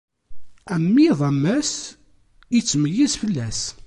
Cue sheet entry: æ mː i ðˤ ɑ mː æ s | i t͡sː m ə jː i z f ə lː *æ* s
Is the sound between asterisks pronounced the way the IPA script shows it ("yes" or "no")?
yes